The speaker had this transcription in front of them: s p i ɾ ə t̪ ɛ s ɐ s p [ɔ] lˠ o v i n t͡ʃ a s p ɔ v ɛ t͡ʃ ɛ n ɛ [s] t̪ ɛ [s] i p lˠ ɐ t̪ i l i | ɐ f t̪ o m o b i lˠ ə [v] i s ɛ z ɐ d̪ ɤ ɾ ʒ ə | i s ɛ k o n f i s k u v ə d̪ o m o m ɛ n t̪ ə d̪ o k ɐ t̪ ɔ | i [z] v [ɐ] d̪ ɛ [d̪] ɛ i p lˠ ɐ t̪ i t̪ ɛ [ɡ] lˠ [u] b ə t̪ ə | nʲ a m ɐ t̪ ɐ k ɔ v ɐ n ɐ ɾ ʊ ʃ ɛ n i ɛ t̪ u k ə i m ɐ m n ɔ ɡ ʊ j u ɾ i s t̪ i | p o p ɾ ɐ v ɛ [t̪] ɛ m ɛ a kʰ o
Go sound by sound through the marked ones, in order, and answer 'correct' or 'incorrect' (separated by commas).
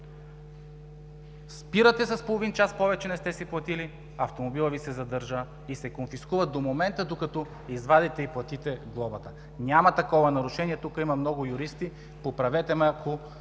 incorrect, correct, correct, correct, correct, incorrect, incorrect, correct, incorrect, correct